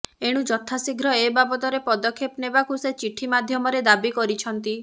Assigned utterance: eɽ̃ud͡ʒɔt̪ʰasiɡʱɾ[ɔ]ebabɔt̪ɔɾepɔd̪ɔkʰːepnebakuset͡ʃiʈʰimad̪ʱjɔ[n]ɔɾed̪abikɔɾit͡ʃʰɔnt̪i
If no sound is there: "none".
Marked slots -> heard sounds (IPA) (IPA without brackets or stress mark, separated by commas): ɔ, m